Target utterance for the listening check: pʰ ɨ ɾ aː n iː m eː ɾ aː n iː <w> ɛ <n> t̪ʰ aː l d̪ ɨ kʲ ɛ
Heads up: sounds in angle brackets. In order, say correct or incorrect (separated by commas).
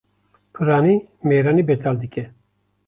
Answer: incorrect, incorrect